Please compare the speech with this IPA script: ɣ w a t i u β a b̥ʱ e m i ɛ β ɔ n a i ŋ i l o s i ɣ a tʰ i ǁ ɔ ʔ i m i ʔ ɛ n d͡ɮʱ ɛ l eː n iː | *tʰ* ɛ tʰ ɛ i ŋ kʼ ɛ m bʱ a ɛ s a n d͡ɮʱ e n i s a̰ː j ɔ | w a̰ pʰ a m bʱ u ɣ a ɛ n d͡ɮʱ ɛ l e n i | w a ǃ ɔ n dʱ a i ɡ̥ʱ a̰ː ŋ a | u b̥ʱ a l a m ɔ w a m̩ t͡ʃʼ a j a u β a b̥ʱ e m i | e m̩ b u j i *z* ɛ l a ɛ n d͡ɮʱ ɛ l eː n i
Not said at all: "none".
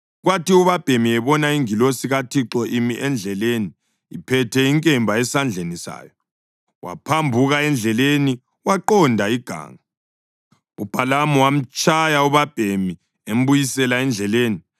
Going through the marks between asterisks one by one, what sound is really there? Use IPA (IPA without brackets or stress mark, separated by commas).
pʰ, s